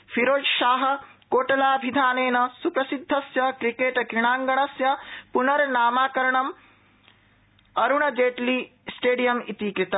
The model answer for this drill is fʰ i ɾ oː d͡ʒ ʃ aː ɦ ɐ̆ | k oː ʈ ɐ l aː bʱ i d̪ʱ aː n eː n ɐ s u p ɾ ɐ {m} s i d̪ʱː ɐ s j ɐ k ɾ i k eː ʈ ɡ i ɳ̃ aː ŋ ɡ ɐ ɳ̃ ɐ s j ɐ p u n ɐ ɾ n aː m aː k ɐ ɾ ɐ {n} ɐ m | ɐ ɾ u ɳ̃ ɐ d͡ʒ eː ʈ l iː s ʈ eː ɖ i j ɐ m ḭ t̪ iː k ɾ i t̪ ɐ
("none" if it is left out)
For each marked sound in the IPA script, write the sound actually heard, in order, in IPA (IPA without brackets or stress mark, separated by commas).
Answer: none, ɳ